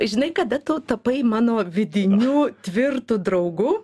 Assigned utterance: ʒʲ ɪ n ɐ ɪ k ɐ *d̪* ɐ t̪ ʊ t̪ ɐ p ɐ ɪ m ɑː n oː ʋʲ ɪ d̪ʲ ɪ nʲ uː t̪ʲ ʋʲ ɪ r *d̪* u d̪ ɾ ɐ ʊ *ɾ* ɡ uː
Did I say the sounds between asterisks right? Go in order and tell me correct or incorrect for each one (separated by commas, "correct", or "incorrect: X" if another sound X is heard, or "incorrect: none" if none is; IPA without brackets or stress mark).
correct, incorrect: t̪, incorrect: none